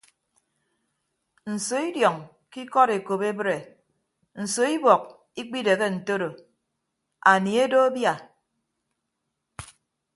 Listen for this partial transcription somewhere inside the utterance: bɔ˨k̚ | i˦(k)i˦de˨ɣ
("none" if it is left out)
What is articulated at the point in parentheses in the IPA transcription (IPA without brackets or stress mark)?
k͡p